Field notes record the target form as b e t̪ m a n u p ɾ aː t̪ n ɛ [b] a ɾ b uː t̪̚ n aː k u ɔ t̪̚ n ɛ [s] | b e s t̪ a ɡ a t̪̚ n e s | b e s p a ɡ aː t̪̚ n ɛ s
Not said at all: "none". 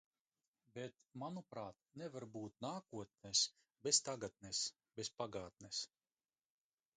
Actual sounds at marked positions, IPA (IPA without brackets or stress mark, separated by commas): v, s